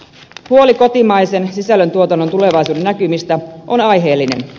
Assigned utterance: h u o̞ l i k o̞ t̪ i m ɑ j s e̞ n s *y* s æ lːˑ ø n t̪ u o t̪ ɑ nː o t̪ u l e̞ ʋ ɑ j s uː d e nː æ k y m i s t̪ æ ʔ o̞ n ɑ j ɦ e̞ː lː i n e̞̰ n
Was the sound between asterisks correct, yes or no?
no